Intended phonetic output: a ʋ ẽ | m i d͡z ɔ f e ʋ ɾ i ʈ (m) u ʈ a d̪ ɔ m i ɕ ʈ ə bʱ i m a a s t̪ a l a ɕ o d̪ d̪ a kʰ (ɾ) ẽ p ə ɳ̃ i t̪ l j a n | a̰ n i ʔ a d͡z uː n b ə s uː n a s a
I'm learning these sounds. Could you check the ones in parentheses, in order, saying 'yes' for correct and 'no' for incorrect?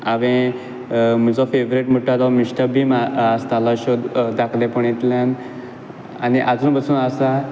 yes, no

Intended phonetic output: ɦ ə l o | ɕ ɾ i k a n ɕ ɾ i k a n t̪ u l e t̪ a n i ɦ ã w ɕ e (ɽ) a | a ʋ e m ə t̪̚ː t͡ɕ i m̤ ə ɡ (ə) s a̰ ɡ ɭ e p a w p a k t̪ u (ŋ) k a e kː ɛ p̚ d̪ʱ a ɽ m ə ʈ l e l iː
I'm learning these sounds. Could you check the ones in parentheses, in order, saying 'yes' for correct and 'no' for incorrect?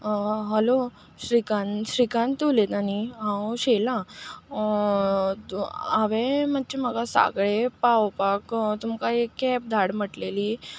no, no, no

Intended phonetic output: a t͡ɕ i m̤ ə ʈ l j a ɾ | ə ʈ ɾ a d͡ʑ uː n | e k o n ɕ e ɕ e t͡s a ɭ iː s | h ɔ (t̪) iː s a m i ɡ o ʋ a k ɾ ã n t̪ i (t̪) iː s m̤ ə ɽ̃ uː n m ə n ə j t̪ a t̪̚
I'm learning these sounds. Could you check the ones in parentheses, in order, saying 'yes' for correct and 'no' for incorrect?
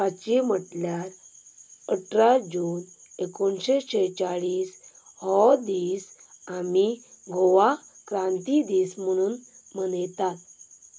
no, no

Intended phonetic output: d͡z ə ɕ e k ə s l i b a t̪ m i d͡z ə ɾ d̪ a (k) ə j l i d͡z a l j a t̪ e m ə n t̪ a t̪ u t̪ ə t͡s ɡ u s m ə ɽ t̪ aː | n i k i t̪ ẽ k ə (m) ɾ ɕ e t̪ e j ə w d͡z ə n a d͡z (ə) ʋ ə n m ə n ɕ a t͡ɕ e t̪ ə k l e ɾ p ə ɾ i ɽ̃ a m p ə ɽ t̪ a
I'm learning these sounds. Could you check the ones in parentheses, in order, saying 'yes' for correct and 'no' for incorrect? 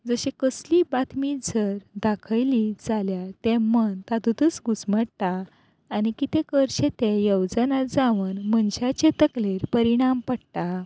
no, no, no

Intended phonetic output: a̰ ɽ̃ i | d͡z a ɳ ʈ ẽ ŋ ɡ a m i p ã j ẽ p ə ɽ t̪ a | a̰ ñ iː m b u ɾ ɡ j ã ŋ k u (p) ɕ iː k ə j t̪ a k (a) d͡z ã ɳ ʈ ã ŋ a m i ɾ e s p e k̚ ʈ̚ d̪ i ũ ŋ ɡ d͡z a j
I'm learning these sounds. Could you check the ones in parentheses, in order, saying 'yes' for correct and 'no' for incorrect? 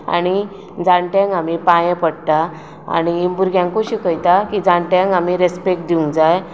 no, no

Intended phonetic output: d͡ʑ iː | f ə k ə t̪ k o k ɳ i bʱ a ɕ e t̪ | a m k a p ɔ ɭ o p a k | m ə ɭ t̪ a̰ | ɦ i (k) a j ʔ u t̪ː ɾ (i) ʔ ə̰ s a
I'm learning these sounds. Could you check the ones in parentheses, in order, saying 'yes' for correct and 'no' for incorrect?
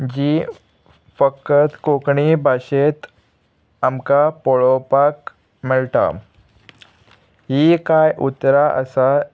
yes, no

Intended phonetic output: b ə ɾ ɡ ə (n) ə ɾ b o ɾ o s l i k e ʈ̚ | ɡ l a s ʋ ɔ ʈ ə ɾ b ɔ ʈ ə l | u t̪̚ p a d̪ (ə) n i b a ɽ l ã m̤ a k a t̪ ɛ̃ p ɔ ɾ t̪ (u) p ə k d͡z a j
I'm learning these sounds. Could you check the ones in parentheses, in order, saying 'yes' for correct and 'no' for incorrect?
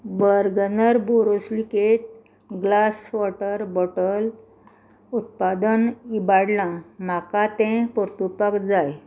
yes, yes, yes

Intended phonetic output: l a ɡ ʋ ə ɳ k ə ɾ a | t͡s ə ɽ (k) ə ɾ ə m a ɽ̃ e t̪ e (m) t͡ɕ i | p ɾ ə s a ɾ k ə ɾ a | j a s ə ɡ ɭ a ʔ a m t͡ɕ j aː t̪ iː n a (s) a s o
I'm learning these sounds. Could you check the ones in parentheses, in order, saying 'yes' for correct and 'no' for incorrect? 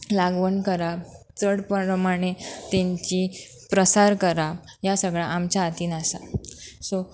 no, no, yes

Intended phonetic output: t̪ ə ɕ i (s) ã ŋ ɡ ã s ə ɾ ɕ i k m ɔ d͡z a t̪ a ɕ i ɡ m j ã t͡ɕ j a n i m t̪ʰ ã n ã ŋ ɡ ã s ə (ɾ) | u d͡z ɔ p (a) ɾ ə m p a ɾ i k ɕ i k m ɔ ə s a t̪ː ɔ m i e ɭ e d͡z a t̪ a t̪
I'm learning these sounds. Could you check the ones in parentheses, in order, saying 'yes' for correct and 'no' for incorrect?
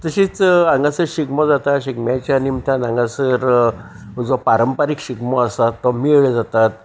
no, yes, yes

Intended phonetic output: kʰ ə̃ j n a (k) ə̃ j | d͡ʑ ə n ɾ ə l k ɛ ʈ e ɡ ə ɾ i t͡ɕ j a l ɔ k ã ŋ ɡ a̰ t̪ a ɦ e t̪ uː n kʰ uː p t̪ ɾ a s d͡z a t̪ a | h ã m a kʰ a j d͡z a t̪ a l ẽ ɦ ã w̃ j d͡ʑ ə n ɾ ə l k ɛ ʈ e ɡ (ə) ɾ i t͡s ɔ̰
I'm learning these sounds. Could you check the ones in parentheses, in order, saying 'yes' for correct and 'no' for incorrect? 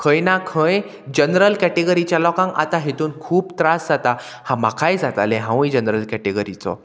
no, yes

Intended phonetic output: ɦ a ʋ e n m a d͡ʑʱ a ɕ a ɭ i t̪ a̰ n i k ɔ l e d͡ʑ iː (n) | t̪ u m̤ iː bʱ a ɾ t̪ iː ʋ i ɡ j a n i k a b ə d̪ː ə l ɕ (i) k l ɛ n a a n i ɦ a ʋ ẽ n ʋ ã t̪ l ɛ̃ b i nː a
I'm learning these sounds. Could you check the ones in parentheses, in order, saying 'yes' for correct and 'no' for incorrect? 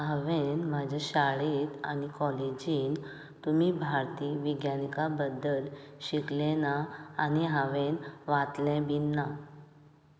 yes, yes

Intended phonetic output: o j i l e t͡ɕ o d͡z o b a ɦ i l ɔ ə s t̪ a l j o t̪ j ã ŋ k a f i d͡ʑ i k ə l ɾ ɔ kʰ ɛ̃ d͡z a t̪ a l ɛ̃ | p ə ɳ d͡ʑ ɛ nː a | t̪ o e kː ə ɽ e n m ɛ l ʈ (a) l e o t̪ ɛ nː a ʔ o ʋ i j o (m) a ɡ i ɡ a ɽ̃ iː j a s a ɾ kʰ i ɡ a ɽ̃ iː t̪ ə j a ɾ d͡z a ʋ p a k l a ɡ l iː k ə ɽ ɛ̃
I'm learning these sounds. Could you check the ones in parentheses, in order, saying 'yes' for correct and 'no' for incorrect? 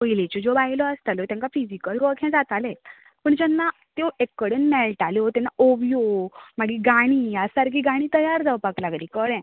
yes, yes

